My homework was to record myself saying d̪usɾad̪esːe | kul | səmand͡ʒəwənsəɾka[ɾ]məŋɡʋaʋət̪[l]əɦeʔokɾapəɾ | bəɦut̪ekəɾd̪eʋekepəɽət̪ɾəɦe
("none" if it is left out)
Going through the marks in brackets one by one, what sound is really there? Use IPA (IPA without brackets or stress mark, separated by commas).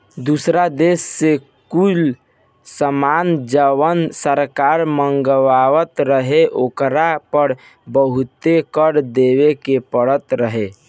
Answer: ɾ, ɾ